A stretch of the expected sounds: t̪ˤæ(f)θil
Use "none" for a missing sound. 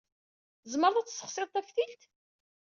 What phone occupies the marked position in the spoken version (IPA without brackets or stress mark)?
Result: f